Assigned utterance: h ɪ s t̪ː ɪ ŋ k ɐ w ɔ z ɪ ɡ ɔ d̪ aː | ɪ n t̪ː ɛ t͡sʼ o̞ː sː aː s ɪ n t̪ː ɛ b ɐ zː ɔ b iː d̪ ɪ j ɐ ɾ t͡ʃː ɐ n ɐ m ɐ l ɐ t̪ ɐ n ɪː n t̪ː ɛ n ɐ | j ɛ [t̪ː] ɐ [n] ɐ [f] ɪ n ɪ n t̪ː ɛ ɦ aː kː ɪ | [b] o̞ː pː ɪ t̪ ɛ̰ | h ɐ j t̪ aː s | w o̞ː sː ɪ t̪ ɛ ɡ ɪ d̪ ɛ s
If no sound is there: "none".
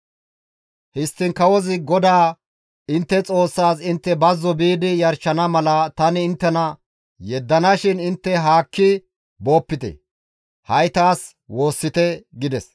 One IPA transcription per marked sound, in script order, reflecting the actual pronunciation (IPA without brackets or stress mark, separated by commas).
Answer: d̪ː, n, ʃ, b